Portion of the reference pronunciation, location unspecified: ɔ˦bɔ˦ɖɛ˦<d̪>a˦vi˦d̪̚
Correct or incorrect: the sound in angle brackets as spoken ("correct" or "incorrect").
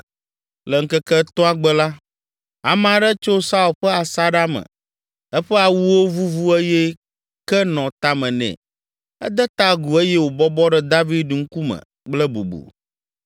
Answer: correct